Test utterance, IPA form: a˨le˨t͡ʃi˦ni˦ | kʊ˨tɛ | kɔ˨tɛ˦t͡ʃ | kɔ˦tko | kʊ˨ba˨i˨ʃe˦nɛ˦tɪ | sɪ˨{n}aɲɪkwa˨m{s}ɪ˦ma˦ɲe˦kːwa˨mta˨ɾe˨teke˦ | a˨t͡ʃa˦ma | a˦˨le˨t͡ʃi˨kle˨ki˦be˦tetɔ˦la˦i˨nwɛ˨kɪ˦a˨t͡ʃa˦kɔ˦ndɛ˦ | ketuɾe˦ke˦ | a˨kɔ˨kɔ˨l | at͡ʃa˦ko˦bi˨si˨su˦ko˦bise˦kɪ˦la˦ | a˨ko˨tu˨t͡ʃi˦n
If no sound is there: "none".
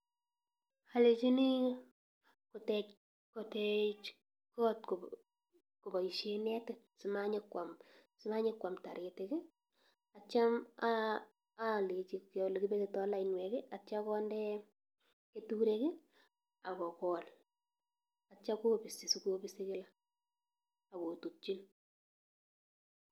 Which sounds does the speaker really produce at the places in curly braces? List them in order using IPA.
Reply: m, s

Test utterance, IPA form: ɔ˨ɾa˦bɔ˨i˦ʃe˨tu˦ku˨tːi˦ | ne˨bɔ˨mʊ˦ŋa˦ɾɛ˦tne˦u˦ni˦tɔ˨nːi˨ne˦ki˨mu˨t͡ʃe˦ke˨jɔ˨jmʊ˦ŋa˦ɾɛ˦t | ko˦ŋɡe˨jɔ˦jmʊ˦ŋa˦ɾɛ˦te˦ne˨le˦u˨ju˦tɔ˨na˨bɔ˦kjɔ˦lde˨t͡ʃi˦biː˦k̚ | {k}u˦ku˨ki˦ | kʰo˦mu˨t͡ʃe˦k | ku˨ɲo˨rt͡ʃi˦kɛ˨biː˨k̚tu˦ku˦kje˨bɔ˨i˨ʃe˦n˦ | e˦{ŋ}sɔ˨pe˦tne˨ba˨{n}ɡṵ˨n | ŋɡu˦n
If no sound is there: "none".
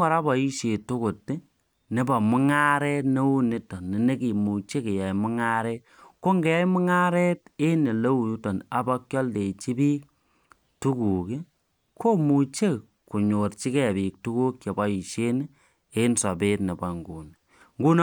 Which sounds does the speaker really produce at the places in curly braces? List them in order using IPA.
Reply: t, n, ŋ

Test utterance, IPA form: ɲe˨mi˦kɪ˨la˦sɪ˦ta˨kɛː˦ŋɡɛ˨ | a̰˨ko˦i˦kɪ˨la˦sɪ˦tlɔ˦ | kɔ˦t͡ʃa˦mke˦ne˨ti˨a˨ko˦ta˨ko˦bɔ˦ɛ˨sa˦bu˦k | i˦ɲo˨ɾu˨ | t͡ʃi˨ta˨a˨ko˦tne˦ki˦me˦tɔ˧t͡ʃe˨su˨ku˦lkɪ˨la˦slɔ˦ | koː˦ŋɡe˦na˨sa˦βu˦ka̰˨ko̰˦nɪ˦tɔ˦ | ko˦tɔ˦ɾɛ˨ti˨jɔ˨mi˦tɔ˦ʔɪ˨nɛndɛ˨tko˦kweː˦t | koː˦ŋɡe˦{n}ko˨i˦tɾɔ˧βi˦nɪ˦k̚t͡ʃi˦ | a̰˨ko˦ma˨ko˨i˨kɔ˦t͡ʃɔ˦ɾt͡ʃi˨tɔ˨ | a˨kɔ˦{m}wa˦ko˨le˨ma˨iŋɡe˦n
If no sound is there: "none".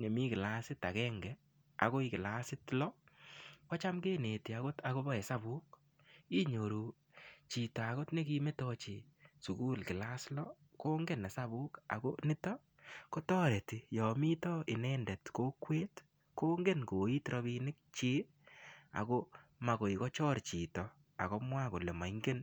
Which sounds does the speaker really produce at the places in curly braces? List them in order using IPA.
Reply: n, m

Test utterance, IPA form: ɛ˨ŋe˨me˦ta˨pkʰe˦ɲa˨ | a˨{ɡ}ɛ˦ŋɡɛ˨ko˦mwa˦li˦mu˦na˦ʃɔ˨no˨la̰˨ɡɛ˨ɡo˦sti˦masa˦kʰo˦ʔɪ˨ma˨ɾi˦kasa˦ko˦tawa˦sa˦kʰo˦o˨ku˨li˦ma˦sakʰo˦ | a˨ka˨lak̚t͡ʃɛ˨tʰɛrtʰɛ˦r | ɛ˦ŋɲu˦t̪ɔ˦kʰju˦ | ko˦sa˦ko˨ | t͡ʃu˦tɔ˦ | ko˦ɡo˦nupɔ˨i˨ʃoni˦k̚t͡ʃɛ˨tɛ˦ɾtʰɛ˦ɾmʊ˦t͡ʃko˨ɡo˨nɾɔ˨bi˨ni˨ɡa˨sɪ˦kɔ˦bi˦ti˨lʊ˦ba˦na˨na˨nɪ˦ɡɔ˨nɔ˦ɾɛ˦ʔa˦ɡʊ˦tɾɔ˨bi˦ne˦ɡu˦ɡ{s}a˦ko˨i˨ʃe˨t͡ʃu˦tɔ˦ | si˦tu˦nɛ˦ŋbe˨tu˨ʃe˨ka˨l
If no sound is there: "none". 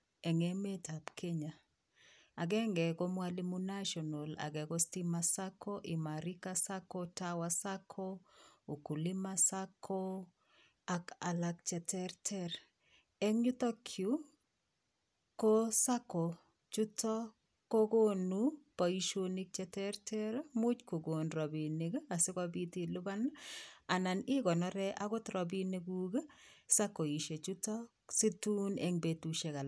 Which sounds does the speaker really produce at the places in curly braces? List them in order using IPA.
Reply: ɡ, s

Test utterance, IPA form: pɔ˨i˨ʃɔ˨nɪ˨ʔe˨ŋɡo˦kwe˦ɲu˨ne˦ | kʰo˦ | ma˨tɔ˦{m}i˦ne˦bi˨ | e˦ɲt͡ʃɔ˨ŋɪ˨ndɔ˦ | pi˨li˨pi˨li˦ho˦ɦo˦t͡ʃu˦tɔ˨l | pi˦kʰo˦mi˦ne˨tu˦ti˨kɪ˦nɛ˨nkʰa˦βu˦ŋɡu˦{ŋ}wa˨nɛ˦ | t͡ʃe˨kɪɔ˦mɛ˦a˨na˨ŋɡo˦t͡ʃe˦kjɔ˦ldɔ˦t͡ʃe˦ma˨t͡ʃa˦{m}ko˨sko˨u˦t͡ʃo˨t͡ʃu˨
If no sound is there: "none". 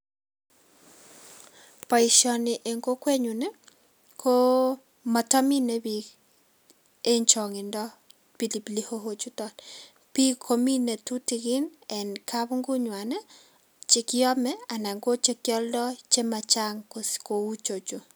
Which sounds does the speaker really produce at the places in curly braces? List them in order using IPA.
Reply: m, ɲ, ŋ

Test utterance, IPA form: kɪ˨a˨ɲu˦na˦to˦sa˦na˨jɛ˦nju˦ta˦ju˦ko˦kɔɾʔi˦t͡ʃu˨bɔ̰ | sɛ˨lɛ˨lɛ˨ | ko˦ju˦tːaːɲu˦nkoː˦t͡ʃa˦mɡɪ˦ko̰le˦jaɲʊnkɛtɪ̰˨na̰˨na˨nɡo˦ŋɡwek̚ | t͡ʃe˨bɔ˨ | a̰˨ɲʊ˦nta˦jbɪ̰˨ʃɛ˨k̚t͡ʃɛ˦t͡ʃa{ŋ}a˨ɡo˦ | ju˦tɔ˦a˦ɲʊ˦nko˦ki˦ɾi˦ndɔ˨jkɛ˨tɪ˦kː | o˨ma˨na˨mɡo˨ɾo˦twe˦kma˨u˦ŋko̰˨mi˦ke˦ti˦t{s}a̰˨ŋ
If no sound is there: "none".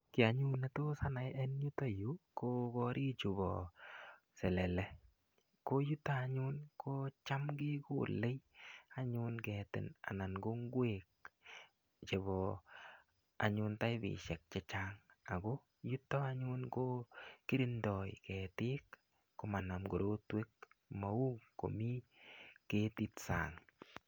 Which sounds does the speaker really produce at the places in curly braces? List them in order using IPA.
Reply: ŋ, s

